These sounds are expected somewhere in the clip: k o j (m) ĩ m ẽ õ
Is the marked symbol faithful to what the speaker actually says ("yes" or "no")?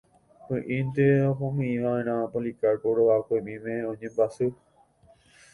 yes